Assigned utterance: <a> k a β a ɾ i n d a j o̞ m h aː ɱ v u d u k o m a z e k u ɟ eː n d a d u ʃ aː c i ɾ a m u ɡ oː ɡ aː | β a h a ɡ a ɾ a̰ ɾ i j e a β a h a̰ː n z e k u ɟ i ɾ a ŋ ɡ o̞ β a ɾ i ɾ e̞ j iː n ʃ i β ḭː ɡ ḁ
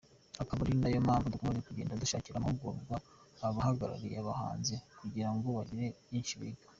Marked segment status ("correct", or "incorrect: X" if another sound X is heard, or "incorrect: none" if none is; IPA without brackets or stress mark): correct